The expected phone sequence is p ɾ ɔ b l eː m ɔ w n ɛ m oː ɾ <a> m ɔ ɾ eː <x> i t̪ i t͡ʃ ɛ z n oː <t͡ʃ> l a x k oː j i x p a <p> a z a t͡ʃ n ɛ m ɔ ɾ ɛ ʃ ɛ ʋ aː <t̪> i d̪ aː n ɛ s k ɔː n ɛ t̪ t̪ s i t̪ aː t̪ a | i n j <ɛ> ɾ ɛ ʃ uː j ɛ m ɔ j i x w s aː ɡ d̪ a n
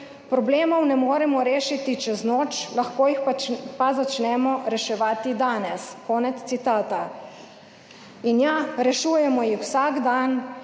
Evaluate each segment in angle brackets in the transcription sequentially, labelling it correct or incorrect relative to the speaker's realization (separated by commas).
incorrect, incorrect, correct, correct, correct, incorrect